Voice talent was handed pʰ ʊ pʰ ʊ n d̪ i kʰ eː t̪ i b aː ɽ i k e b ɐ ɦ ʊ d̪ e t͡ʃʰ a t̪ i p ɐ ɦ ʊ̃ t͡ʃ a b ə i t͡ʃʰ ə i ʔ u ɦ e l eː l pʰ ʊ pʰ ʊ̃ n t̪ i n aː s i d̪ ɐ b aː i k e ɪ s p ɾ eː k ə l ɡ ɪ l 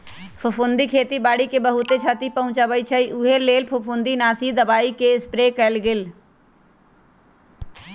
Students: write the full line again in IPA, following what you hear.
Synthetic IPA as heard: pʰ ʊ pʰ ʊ n d̪ i kʰ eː t̪ i b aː ɽ i k e b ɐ ɦ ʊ t̪ e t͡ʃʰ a t̪ i p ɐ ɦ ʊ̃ t͡ʃ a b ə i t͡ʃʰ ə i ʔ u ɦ e l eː l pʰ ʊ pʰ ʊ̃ n d̪ i n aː s i d̪ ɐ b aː i k e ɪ s p ɾ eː k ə l ɡ ɪ l